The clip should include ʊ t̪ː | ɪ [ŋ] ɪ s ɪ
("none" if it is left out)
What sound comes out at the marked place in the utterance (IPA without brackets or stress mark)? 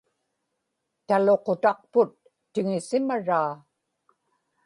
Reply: ŋ